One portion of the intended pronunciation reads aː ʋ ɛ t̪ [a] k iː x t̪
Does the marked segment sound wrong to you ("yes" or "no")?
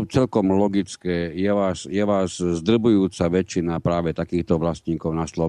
no